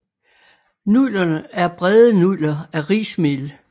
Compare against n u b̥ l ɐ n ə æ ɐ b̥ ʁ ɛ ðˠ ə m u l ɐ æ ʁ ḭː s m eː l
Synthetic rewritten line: n u l ɐ n ə æ ɐ b̥ ʁ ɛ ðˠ ə n u l ɐ æ ʁ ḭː s m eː l